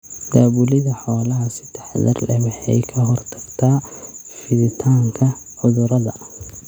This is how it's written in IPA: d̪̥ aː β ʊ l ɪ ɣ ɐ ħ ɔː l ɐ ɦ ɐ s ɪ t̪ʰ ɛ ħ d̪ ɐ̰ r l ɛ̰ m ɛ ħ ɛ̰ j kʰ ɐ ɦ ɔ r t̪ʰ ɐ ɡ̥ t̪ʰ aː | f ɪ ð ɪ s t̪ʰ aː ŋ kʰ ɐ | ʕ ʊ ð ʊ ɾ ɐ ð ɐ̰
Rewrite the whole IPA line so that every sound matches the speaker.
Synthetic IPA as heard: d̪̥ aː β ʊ l ɪ ð ɐ ħ ɔː l ɐ ɦ ɐ s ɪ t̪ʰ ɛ ħ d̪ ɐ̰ r l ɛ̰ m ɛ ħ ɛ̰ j kʰ ɐ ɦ ɔ r t̪ʰ ɐ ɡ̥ t̪ʰ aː | f ɪ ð ɪ t̪ʰ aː ŋ kʰ ɐ | ʕ ʊ ð ʊ ɾ ɐ ð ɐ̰